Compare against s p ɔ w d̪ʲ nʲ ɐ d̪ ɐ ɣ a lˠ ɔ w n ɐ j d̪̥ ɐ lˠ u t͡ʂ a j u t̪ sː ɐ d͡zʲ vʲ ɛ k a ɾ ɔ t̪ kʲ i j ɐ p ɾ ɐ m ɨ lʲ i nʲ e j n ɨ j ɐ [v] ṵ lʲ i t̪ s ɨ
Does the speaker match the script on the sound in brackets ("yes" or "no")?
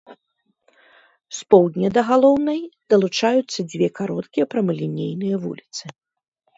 yes